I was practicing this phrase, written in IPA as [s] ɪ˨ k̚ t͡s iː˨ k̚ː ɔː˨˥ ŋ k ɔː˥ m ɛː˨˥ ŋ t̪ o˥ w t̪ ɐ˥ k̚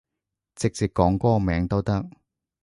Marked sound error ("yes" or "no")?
yes